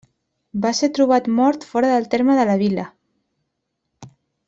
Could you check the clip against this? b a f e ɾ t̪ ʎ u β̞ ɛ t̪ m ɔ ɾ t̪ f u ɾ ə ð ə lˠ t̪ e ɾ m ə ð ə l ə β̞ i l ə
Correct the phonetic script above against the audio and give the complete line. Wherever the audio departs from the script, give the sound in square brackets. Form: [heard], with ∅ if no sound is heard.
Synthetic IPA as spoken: b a [s] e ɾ t̪ [ɾ] u β̞ [a] t̪ m ɔ ɾ t̪ f [ɔ] ɾ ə ð ə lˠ t̪ e ɾ m ə ð ə l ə β̞ i l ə